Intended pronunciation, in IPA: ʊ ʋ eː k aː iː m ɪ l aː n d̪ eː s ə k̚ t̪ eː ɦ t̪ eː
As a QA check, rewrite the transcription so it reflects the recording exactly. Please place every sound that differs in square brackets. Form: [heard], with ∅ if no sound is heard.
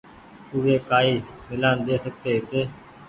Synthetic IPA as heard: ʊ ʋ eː k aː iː m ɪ l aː n d̪ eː s ə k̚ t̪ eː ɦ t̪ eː